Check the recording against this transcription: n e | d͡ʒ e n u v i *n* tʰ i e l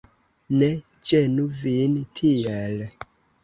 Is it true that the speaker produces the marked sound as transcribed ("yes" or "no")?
yes